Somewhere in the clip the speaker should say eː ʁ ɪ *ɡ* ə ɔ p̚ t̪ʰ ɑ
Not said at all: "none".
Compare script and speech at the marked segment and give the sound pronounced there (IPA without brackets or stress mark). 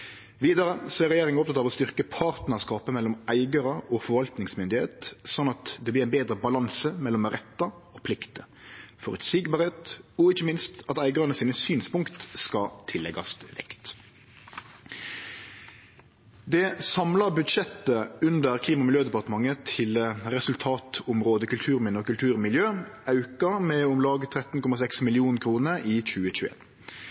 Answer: ŋ